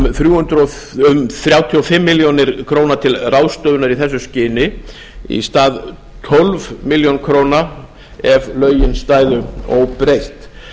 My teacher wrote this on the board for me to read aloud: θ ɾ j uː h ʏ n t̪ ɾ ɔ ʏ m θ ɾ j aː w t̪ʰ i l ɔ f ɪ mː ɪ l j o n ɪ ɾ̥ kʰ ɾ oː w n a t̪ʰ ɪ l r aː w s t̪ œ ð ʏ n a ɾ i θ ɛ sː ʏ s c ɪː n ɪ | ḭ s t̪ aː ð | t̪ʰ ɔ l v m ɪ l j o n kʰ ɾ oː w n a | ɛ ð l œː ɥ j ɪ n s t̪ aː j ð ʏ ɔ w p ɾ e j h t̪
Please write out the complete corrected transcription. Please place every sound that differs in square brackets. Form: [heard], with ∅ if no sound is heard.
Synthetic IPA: θ ɾ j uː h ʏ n t̪ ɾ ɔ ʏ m θ ɾ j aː w t̪ʰ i [∅] ɔ f ɪ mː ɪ l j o n ɪ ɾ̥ kʰ ɾ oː w n a t̪ʰ ɪ l r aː w s t̪ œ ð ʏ n a ɾ i θ ɛ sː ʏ s c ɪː n ɪ | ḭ s t̪ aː ð | t̪ʰ ɔ l v m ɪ l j o n kʰ ɾ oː w n a | ɛ [v] l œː ɥ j ɪ n s t̪ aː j ð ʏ ɔ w p ɾ e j h t̪